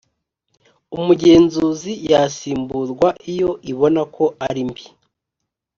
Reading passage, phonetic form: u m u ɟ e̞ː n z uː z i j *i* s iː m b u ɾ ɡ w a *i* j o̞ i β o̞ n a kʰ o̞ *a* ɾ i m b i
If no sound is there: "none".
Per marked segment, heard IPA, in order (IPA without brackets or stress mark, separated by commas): a, i, a